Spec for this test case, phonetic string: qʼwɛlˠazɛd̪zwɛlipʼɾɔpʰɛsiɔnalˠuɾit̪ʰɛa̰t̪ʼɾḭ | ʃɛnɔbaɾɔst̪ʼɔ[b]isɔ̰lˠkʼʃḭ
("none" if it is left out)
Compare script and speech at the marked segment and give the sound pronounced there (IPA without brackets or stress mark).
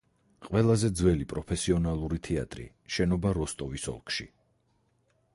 v